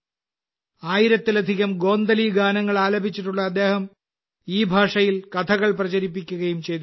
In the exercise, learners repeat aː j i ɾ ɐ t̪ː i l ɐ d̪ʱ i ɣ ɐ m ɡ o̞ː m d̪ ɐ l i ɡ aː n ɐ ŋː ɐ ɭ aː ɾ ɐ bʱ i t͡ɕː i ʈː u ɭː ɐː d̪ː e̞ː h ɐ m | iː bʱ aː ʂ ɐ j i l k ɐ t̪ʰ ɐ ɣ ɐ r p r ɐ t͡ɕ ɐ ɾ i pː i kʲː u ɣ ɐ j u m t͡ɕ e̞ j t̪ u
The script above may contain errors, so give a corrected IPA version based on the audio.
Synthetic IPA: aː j i ɾ ɐ t̪ː i l ɐ d̪ʱ i ɣ ɐ m ɡ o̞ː n d̪ ɐ l i ɡ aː n ɐ ŋː ɐ ɭ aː l ɐ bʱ i t͡ɕː i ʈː u ɭː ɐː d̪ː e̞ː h ɐ m | iː bʱ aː ʂ ɐ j i l k ɐ t̪ʰ ɐ ɣ ɐ ɭ p r ɐ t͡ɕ ɐ ɾ i pː i kʲː u ɣ ɐ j u m t͡ɕ e̞ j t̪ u

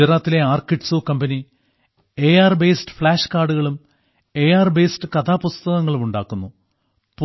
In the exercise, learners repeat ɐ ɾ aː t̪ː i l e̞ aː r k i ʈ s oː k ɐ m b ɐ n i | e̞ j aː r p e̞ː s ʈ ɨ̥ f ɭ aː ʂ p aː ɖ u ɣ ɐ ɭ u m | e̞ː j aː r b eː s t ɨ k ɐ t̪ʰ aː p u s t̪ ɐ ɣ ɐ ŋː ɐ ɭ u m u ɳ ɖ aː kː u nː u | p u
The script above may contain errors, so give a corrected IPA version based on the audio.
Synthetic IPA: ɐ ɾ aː t̪ː i l e̞ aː r k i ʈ s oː k ɐ m b ɐ n i | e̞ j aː r b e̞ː s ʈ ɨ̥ f ɭ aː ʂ k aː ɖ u ɣ ɐ ɭ u m | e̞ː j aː r b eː s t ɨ k ɐ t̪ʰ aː p u s t̪ ɐ ɣ ɐ ŋː ɐ ɭ u m u ɳ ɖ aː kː u nː u | p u

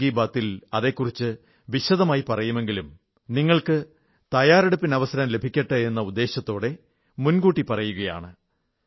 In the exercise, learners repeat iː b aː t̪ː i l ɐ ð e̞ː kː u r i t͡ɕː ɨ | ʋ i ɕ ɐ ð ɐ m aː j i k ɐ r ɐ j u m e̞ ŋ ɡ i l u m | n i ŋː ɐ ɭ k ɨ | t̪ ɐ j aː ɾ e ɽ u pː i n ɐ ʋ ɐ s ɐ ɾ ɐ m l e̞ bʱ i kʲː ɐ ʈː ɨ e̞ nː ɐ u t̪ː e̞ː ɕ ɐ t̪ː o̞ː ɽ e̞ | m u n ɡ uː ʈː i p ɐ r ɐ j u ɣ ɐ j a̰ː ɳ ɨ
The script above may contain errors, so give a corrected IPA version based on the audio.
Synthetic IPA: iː b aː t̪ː i l ɐ ð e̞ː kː u r i t͡ɕː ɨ | ʋ i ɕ ɐ ð ɐ m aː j i p ɐ r ɐ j u m e̞ ŋ ɡ i l u m | n i ŋː ɐ ɭ k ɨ | t̪ ɐ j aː ɾ e ɽ u pː i n ɐ ʋ ɐ s ɐ ɾ ɐ m l e̞ bʱ i kʲː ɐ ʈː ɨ e̞ nː ɐ u d̪ː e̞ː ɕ ɐ t̪ː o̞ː ɽ e̞ | m u n ɡ uː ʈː i p ɐ r ɐ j u ɣ ɐ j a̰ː ɳ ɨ

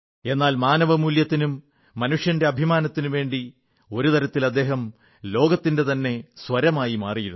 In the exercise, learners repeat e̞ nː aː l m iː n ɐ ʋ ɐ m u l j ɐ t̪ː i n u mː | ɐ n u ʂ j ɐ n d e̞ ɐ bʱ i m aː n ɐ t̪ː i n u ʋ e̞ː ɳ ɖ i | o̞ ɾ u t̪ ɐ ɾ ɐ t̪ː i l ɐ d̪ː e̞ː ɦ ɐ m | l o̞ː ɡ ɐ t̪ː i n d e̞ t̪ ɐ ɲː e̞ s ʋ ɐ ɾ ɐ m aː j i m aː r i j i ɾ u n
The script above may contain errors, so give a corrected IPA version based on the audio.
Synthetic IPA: e̞ nː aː l m aː n ɐ ʋ ɐ m u l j ɐ t̪ː i n u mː | ɐ n u ʂ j ɐ n d e̞ ɐ bʱ i m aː n ɐ t̪ː i n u ʋ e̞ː ɳ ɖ i | o̞ ɾ u t̪ ɐ ɾ ɐ t̪ː i l ɐ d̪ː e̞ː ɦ ɐ m | l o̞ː ɡ ɐ t̪ː i n d e̞ t̪ ɐ nː e̞ s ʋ ɐ ɾ ɐ m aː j i m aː r i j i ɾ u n

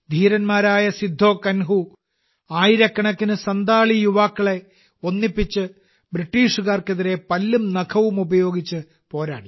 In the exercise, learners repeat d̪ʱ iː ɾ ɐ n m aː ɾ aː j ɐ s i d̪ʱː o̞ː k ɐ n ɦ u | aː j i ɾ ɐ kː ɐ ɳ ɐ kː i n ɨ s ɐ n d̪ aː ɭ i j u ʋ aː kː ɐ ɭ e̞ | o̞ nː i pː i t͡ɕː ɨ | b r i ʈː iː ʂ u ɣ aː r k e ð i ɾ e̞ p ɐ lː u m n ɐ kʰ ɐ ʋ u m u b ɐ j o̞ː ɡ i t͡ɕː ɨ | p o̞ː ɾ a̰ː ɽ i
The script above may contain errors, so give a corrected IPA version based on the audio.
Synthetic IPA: d̪ʱ iː ɾ ɐ n m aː ɾ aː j ɐ s i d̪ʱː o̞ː k ɐ n ɦ u | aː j i ɾ ɐ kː ɐ ɳ ɐ kː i n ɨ s ɐ n d̪ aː ɭ i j u ʋ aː kː ɐ ɭ e̞ | o̞ nː i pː i t͡ɕː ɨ | b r i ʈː iː ʂ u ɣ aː r k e ð i ɾ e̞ p ɐ lː u m n ɐ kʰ ɐ ʋ u m u b ɐ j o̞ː ɡ i t͡ɕː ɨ | p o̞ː ɾ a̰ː ɽ i

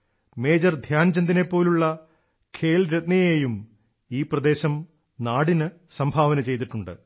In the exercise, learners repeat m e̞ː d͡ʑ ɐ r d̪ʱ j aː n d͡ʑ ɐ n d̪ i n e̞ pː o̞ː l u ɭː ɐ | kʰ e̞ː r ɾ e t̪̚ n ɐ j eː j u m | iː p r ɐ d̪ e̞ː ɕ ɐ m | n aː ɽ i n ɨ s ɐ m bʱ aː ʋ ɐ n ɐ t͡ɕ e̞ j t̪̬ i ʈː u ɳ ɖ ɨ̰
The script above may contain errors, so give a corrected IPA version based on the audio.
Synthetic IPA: m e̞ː d͡ʑ ɐ r d̪ʱ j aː n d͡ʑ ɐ n d̪ i n e̞ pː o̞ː l u ɭː ɐ | kʰ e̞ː l ɾ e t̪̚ n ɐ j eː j u m | iː p r ɐ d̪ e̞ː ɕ ɐ m | n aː ɽ i n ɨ s ɐ m bʱ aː ʋ ɐ n ɐ t͡ɕ e̞ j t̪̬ i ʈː u ɳ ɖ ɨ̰

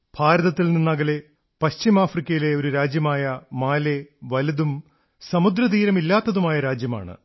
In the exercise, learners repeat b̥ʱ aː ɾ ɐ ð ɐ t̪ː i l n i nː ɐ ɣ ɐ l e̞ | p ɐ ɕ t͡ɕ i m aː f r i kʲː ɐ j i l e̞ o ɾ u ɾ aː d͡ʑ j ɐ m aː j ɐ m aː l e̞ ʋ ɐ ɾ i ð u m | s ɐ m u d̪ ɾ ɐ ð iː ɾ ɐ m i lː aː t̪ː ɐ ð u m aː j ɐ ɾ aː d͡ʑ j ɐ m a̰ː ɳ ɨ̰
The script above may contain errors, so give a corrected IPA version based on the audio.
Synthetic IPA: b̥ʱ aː ɾ ɐ ð ɐ t̪ː i l n i nː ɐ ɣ ɐ l e̞ | p ɐ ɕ t͡ɕ i m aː f r i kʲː ɐ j i l e̞ o ɾ u ɾ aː d͡ʑ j ɐ m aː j ɐ m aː l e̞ ʋ ɐ l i ð u m | s ɐ m u d̪ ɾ ɐ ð iː ɾ ɐ m i lː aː t̪ː ɐ ð u m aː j ɐ ɾ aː d͡ʑ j ɐ m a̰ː ɳ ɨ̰

